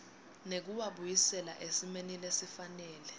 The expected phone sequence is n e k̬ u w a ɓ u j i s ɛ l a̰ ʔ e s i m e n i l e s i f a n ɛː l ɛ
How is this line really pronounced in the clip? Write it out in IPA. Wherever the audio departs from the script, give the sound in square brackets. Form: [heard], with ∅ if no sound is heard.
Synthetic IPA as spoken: n e k̬ u w a ɓ u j i s ɛ l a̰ ʔ e s i m e n i l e s i f a n ɛː l ɛ